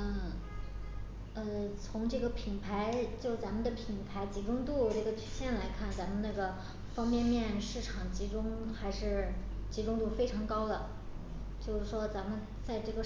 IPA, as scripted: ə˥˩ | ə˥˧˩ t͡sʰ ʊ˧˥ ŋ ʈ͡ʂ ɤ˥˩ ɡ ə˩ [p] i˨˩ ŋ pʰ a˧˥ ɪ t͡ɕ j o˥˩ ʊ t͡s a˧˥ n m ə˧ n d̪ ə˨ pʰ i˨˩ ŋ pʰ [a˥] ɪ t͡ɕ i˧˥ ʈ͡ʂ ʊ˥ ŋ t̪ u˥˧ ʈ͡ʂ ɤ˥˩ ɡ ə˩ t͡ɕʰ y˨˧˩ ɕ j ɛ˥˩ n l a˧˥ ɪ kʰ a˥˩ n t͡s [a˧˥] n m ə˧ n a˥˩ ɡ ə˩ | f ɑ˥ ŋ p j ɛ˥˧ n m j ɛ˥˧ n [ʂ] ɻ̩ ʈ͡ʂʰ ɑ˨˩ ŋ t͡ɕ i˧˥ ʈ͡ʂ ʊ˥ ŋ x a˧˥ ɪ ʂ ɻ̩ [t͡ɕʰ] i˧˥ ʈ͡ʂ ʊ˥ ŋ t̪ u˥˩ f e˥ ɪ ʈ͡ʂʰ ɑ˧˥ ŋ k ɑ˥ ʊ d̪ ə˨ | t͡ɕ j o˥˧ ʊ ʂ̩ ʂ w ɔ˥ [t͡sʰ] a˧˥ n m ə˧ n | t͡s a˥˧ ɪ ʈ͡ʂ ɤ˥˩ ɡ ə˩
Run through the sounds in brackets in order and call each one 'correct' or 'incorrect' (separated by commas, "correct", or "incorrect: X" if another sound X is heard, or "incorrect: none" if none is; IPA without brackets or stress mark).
incorrect: pʰ, incorrect: a˧˥, correct, correct, incorrect: t͡ɕ, incorrect: t͡s